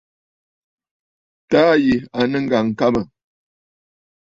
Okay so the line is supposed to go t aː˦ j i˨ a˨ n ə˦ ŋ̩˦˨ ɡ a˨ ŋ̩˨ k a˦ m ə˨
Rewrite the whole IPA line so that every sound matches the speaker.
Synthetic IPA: t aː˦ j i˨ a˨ n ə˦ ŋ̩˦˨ ɡ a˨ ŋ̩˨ k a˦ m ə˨